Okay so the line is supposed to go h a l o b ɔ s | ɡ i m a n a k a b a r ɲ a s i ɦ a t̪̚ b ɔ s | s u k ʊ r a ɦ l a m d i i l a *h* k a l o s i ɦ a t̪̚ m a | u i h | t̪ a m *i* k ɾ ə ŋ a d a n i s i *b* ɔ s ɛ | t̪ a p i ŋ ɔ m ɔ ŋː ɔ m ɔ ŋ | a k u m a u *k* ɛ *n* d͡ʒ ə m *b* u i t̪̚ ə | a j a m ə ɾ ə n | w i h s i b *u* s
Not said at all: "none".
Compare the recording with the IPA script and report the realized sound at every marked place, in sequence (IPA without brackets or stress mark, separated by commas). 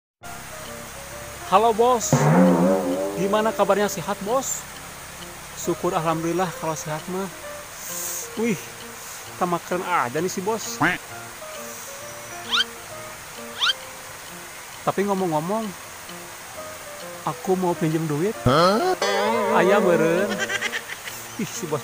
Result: h, a, b, p, ɲ, d, ɔ